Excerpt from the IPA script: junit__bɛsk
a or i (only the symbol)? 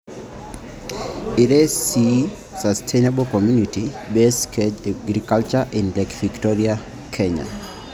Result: i